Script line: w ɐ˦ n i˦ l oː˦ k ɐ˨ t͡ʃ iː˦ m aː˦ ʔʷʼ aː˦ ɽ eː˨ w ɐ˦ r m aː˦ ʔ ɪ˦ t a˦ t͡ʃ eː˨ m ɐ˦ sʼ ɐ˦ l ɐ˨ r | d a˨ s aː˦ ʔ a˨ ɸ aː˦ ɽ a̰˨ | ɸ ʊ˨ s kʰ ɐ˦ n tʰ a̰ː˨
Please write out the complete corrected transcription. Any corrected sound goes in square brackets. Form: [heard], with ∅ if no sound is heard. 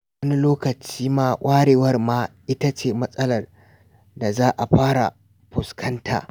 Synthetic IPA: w ɐ˦ n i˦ l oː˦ k ɐ˨ t͡ʃ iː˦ m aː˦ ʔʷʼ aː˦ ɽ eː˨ w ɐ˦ r m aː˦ ʔ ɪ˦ t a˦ t͡ʃ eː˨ m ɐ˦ sʼ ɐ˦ l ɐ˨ r | d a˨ [z] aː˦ ʔ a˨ ɸ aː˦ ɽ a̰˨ | ɸ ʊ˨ s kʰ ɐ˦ n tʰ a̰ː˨